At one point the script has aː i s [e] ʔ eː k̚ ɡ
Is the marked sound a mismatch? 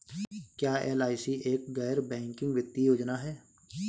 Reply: yes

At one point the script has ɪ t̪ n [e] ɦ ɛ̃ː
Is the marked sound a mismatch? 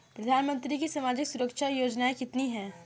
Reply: yes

